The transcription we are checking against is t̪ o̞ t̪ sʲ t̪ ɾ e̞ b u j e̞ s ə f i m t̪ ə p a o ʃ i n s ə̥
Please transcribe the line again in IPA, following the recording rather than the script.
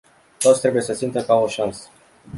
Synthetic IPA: t̪ o̞ t̪ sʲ t̪ ɾ e̞ b u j e̞ s ə s i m t̪ ə k a o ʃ a n s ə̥